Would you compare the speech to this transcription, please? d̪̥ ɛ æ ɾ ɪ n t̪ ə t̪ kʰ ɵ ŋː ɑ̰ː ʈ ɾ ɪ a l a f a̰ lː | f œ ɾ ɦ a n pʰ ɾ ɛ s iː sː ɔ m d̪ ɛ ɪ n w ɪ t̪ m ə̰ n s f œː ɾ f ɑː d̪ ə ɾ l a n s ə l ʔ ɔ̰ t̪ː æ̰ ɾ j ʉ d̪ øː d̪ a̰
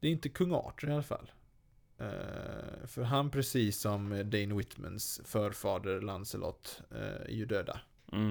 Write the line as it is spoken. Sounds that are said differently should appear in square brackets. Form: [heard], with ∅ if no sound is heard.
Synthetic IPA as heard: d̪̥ ɛ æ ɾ ɪ n t̪ ə [∅] kʰ ɵ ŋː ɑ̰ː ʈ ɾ ɪ a l a f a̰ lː | f œ ɾ ɦ a n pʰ ɾ ɛ s iː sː ɔ m d̪ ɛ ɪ n w ɪ t̪ m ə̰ n s f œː ɾ f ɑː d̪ ə ɾ l a n s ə l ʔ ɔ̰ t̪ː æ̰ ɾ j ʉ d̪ øː d̪ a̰